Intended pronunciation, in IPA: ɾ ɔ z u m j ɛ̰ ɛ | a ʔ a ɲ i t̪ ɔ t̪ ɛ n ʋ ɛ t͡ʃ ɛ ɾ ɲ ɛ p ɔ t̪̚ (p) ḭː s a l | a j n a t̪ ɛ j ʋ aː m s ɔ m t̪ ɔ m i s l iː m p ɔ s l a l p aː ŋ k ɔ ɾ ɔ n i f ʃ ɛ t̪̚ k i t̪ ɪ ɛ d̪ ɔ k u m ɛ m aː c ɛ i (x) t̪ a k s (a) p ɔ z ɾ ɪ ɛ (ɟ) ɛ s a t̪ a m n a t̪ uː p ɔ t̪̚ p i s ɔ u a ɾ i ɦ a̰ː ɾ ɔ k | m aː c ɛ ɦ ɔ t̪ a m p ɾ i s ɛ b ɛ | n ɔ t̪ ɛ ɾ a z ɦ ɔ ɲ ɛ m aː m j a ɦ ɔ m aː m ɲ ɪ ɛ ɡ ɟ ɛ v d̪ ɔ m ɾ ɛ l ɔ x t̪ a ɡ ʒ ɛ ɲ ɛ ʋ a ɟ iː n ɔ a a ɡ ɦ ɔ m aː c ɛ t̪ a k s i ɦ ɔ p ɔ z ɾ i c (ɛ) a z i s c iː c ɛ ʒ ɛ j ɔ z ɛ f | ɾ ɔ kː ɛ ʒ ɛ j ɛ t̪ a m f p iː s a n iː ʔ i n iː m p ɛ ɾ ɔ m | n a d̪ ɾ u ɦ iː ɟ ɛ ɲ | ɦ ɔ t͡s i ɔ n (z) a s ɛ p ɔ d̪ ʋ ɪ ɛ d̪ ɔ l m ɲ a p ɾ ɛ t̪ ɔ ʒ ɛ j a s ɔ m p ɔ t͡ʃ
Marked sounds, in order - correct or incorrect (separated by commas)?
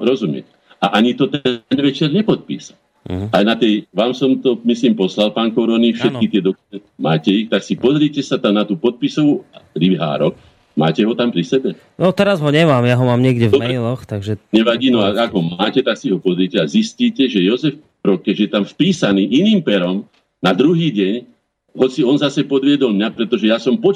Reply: correct, correct, incorrect, incorrect, correct, correct